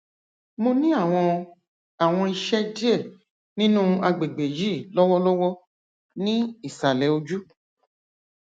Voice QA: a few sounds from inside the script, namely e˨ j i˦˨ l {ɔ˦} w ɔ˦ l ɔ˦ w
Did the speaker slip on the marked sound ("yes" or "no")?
no